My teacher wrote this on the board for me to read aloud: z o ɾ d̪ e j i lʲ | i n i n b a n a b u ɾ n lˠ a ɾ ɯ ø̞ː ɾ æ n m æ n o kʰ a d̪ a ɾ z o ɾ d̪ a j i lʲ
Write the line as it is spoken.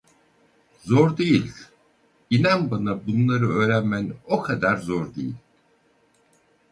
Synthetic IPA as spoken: z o ɾ d̪ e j i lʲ | i n a n b a n a b u n lˠ a ɾ ɯ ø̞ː ɾ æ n m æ n o kʰ a d̪ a ɾ z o ɾ d̪ e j i lʲ